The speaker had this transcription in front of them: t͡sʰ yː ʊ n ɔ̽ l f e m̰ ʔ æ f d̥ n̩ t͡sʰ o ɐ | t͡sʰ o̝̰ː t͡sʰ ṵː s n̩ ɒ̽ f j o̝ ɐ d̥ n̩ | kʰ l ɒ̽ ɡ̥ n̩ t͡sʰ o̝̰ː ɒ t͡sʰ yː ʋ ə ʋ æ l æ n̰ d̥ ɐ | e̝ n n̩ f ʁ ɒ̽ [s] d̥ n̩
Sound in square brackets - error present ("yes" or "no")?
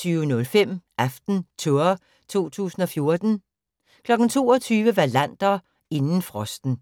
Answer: no